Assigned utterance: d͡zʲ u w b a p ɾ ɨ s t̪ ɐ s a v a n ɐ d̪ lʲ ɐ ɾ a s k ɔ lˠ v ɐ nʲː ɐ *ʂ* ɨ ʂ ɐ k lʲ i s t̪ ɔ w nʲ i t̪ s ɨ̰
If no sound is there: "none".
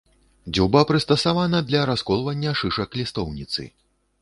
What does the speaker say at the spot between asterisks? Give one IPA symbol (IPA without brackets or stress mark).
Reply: ʂ